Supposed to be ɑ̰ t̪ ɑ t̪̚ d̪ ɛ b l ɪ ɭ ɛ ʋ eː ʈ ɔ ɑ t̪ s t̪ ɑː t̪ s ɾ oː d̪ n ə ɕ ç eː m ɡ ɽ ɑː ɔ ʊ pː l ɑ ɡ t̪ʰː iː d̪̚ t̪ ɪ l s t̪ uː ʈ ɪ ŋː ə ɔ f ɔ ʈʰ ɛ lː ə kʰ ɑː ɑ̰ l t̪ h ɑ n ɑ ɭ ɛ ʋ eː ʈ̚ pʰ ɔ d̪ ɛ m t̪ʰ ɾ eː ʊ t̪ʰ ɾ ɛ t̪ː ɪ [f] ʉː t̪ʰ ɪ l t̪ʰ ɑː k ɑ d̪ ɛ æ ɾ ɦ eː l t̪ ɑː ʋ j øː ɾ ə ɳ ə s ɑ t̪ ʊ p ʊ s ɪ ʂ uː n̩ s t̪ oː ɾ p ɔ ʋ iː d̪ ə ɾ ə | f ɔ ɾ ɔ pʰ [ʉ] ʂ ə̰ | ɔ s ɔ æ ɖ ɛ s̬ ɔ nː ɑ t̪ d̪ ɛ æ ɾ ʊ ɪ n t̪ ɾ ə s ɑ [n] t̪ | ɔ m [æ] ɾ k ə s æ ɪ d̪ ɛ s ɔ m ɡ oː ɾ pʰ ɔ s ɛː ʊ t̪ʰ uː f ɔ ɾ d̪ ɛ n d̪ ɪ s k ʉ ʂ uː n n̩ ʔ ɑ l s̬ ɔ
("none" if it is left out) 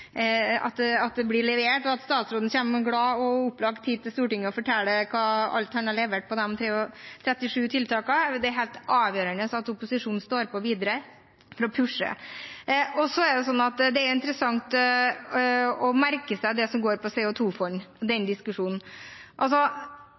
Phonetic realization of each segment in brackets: ʂ, ʉ, ŋ, æ

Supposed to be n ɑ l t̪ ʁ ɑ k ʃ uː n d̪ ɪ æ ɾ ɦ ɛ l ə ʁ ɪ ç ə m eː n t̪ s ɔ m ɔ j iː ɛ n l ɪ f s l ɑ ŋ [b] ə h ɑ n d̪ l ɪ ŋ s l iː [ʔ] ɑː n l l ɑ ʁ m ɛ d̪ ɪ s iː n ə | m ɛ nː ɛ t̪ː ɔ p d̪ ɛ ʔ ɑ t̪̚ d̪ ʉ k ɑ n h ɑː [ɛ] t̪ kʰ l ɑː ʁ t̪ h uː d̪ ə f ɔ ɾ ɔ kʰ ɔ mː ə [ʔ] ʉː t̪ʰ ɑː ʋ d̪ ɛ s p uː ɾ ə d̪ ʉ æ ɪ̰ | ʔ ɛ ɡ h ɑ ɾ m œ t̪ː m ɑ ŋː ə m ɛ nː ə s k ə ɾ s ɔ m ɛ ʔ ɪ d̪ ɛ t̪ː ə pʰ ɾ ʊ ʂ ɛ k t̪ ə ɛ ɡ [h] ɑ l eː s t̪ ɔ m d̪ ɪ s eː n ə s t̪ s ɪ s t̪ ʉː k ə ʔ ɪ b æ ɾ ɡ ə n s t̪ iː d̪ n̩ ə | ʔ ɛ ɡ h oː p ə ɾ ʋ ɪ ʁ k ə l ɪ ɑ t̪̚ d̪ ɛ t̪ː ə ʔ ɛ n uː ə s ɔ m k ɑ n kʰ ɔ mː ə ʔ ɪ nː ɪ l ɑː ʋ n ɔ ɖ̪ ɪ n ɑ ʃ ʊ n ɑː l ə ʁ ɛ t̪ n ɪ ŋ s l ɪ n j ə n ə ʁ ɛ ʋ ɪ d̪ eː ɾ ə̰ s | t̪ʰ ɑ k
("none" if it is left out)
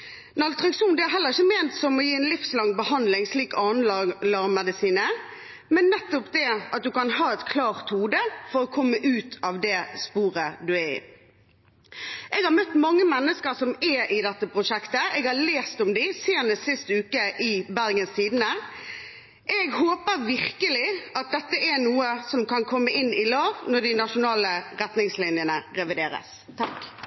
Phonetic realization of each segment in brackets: b, k, ɛ, ʔ, h

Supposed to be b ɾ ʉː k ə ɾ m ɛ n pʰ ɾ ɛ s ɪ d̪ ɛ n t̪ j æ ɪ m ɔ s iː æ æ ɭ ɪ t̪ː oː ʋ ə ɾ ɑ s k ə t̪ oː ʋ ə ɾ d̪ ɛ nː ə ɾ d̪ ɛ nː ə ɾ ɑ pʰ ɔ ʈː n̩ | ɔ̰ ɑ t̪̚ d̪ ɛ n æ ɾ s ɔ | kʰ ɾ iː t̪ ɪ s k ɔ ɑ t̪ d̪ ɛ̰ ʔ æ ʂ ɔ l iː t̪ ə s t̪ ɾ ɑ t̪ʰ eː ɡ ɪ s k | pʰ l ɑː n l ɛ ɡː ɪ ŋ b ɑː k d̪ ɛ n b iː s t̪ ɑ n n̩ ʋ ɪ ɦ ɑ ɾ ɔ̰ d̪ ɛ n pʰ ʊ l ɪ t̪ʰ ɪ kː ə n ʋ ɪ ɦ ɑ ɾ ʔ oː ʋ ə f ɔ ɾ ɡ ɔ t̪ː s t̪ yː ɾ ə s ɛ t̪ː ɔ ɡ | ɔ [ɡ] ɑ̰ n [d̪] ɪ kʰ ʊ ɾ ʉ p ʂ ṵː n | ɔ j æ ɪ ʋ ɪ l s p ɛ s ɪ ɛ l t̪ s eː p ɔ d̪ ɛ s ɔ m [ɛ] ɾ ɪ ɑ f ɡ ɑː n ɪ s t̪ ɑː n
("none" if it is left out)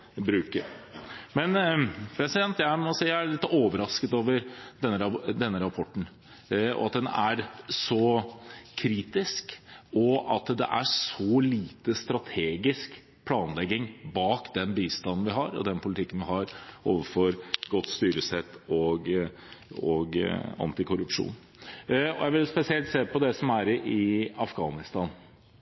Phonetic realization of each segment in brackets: ɡ, t̪, æ

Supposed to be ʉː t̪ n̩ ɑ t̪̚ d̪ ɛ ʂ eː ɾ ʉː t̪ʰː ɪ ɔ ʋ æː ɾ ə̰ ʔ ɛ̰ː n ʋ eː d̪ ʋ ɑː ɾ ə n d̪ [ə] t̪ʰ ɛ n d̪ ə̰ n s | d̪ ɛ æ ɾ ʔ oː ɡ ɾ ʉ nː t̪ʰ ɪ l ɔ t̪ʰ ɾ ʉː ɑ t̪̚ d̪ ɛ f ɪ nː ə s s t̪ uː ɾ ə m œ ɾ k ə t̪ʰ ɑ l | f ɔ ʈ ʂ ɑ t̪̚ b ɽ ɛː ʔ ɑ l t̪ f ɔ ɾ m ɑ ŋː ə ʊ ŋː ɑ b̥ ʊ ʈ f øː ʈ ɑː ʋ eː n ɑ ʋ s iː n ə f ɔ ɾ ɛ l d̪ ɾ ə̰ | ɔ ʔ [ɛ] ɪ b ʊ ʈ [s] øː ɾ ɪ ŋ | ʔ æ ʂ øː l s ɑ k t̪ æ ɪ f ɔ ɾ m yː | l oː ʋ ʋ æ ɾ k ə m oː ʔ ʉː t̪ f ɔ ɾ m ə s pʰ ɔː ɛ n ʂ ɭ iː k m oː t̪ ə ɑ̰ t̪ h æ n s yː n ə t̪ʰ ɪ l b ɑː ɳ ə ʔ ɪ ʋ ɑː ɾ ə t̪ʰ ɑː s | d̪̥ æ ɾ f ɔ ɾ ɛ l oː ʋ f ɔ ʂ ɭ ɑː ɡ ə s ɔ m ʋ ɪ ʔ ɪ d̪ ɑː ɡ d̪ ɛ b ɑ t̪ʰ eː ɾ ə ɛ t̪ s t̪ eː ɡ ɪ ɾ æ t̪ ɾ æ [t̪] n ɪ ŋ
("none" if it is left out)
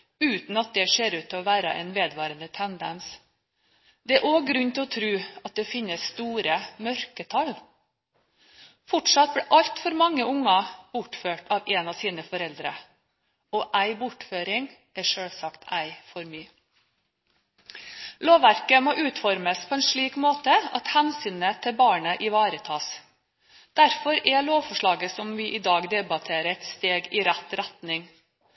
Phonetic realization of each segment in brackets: ə, æ, f, t̪

